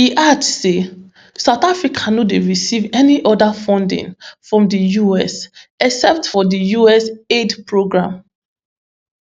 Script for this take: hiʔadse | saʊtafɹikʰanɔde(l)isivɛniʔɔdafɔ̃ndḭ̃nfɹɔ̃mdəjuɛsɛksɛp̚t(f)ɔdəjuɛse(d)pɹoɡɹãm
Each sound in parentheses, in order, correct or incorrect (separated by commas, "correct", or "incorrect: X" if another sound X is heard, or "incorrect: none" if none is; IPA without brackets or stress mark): incorrect: ɹ, correct, correct